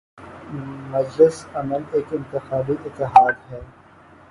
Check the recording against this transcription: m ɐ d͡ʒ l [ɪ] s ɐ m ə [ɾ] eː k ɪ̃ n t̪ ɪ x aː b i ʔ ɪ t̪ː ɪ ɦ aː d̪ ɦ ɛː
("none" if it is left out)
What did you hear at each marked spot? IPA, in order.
ɪ, l

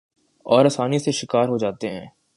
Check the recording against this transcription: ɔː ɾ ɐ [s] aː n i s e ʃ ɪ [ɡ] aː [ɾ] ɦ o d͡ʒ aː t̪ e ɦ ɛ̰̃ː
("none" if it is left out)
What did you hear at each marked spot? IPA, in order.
s, k, ɾ

